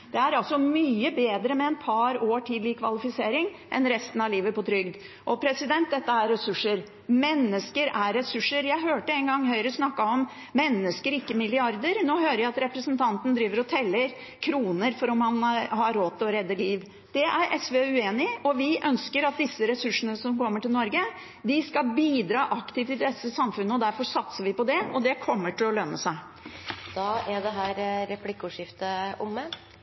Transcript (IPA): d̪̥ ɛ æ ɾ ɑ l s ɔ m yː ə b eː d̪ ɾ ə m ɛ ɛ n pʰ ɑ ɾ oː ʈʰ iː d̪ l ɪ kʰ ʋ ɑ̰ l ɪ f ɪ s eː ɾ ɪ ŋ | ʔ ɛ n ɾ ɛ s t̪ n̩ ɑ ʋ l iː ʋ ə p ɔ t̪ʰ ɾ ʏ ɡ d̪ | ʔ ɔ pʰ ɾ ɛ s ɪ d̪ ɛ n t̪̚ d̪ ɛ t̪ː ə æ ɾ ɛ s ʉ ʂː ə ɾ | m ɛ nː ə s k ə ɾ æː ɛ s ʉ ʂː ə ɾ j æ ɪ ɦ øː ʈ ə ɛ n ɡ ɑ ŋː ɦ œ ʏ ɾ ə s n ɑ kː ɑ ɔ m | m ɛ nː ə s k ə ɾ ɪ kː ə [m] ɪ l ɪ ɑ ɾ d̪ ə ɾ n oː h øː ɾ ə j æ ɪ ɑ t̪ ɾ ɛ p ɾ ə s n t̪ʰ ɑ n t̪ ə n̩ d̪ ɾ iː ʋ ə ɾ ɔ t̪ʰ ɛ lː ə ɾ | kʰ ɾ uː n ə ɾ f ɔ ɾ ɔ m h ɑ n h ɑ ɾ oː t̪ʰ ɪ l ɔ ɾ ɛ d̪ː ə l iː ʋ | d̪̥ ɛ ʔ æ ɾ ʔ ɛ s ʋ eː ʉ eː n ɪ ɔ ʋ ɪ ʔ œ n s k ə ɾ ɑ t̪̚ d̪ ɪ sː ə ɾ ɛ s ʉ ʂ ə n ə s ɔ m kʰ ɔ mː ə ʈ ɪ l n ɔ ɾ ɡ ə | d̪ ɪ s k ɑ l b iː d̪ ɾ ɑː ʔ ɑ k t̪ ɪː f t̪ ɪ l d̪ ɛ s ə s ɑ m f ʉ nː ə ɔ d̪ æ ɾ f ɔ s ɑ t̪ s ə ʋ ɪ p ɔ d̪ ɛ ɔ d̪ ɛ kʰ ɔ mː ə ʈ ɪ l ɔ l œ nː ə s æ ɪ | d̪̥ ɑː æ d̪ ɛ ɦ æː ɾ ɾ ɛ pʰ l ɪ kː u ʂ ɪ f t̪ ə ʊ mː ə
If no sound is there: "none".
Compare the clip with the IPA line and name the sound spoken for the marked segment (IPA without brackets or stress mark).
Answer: m